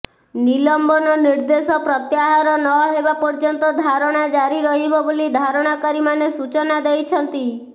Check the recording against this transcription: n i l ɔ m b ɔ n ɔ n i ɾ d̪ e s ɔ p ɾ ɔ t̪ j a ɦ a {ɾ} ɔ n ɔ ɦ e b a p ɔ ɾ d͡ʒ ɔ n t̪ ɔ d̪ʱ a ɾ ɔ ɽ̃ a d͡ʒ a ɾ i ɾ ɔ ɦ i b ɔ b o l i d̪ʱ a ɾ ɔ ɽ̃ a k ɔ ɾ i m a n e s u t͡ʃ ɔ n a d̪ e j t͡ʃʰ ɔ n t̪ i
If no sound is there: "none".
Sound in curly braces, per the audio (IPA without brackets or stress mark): ɾ